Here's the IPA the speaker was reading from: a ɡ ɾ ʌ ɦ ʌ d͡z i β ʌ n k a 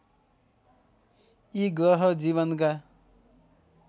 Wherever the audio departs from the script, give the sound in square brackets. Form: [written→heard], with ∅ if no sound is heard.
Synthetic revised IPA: [a→i] ɡ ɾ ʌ ɦ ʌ d͡z i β ʌ n k a